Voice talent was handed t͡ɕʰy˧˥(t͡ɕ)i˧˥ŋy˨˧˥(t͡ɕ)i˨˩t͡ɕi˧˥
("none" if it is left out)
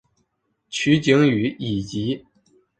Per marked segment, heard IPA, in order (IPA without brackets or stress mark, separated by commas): t͡ɕ, none